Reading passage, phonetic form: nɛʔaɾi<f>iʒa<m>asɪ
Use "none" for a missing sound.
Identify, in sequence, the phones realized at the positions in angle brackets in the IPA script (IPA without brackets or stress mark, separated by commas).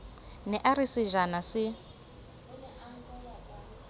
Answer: s, n